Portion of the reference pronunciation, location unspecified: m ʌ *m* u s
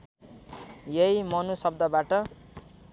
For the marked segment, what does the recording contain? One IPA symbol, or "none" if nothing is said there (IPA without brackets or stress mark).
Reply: n